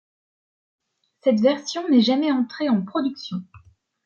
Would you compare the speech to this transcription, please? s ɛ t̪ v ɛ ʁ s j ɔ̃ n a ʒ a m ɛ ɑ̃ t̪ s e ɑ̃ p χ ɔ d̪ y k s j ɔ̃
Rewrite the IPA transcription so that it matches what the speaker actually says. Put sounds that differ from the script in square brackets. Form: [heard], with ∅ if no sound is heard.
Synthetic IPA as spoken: s ɛ t̪ v ɛ ʁ s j ɔ̃ n [ɛ] ʒ a m ɛ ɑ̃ t̪ [χ] e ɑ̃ p χ ɔ d̪ y k s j ɔ̃

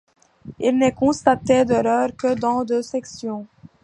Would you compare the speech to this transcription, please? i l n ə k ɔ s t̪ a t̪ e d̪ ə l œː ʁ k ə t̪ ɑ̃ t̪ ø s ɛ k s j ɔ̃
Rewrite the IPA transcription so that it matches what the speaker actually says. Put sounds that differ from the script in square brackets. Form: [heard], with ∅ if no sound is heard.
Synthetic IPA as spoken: i l n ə k [ɔ̃] s t̪ a t̪ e d̪ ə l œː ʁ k ə [d̪] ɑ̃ [d̪] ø s ɛ k s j ɔ̃

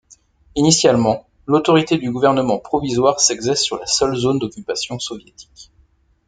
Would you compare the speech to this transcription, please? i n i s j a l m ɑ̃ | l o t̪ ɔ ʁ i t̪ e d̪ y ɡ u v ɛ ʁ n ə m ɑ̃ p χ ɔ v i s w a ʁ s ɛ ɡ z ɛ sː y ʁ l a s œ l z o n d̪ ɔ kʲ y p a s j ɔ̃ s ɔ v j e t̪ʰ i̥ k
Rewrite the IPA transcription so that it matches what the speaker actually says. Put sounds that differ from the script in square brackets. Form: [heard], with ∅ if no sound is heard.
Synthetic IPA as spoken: i n i s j a l m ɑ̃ | l o t̪ ɔ ʁ i t̪ e d̪ y ɡ u v ɛ ʁ n ə m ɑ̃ p χ ɔ v i [z] w a ʁ s ɛ ɡ z ɛ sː y ʁ l a s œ l z o n d̪ ɔ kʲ y p a s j ɔ̃ s ɔ v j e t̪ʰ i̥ k

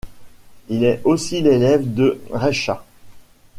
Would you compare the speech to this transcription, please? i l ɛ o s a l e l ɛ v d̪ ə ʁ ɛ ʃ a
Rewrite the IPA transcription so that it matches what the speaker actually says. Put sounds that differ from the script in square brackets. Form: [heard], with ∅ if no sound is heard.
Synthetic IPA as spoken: i l ɛ o s [i] l e l ɛ v d̪ ə ʁ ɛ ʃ a

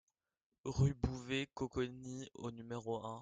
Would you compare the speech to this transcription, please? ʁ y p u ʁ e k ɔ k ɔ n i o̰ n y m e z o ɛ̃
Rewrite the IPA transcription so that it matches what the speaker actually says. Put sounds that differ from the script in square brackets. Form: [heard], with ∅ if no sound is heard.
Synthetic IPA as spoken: ʁ y [b] u [v] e k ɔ k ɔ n i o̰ n y m e [ʁ] o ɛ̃

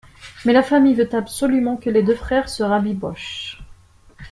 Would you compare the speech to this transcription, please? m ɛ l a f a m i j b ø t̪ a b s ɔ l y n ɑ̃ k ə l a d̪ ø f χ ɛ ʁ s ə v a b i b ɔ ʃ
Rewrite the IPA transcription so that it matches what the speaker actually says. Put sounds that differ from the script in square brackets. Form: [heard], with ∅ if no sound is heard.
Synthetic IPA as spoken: m ɛ l a f a m i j [v] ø t̪ a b s ɔ l y [m] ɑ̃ k ə l [e] d̪ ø f χ ɛ ʁ s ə [ʁ] a b i b ɔ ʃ

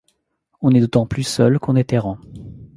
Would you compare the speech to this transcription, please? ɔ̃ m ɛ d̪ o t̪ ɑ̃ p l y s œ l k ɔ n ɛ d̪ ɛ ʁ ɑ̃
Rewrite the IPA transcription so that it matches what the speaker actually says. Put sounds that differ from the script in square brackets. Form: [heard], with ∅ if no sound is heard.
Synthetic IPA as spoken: ɔ̃ [n] ɛ d̪ o t̪ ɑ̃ p l y s œ l k [ɔ̃] n ɛ [t̪] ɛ ʁ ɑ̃

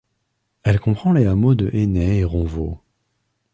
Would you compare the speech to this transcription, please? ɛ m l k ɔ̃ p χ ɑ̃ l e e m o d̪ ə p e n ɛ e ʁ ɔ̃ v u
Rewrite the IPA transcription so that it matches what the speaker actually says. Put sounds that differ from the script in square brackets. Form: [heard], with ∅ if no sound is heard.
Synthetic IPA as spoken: ɛ [∅] l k ɔ̃ p χ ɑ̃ l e [a] m o d̪ ə [ʔ] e n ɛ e ʁ ɔ̃ v [o]

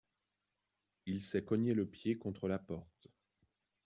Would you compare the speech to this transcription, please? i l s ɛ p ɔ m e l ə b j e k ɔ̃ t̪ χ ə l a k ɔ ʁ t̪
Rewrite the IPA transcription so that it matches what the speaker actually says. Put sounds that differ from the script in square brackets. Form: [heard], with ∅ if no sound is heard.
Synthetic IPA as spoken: i l s ɛ [k] ɔ [ɲ] e l ə [p] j e k ɔ̃ t̪ χ ə l a [p] ɔ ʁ t̪

